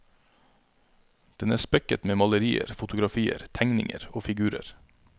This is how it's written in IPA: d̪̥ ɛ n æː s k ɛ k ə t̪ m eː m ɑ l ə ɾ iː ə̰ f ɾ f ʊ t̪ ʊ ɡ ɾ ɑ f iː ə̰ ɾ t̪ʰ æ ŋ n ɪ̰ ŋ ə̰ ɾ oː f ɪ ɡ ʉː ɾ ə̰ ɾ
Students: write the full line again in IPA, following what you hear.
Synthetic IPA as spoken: d̪̥ ɛ n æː s p ɛ k ə t̪ m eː m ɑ l ə ɾ iː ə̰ ɾ f ʊ t̪ ʊ ɡ ɾ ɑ f iː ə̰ ɾ t̪ʰ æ ŋ n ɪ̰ ŋ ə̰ ɾ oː f ɪ ɡ ʉː ɾ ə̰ ɾ